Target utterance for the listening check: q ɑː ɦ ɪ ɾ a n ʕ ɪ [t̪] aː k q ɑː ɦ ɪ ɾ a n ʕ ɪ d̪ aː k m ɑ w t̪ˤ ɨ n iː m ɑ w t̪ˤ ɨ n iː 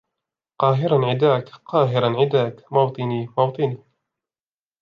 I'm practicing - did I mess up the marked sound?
yes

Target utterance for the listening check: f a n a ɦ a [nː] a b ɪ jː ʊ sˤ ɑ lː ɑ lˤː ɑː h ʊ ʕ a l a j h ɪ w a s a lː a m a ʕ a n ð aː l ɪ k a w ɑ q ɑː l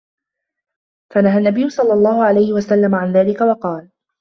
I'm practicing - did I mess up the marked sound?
no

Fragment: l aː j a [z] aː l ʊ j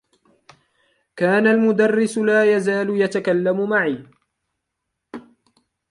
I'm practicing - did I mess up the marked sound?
no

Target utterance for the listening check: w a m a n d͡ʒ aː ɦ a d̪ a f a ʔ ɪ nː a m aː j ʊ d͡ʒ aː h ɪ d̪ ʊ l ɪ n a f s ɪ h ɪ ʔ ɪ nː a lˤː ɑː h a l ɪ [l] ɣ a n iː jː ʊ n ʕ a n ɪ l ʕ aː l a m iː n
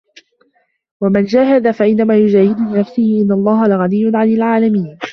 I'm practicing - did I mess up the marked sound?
yes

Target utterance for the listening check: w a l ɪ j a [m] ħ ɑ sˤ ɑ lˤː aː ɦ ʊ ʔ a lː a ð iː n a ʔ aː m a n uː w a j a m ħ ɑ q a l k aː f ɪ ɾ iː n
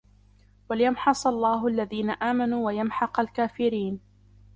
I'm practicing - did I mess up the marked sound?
no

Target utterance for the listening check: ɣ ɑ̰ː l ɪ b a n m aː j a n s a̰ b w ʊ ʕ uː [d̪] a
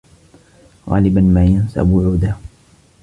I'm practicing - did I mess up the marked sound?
no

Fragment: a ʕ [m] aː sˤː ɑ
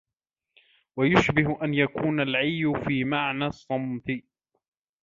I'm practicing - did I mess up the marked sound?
yes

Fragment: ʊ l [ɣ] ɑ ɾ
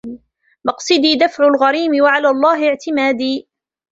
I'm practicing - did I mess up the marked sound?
no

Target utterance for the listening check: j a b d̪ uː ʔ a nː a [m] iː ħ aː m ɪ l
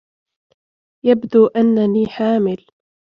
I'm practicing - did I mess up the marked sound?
yes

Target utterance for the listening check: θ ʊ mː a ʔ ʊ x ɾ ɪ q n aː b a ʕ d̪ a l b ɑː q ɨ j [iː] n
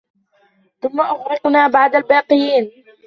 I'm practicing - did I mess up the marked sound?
no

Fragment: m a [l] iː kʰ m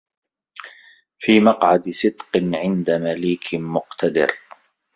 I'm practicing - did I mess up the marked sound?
no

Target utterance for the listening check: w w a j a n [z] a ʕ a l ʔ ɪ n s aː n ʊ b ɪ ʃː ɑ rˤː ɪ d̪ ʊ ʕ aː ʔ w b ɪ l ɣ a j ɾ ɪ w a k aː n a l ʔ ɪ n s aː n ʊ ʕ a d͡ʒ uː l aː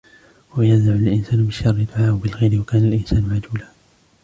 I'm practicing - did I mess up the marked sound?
no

